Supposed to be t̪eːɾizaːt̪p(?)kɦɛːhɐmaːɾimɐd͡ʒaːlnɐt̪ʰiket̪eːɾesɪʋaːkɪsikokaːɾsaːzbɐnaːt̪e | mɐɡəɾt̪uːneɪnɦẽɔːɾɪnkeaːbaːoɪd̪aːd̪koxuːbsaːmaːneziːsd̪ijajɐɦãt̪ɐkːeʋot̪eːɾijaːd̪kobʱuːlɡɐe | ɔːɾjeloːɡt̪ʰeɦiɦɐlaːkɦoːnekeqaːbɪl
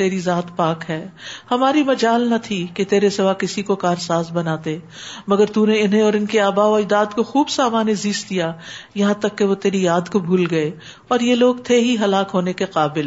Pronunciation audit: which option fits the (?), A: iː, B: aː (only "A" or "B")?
B